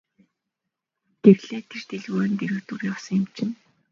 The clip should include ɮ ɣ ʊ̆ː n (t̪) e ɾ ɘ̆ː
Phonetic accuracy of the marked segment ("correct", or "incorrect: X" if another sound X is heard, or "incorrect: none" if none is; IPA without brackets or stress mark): correct